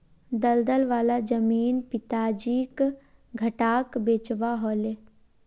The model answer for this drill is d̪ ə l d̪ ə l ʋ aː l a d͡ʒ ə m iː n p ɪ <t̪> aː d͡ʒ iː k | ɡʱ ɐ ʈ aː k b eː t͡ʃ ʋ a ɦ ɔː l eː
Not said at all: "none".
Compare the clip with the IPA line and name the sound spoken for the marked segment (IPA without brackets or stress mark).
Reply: t̪